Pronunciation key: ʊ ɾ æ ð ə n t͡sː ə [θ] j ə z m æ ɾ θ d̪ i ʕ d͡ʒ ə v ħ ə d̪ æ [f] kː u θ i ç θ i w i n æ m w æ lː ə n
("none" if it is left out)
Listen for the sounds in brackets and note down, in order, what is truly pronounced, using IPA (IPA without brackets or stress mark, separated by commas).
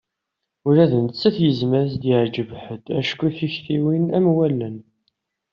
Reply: θ, ʃ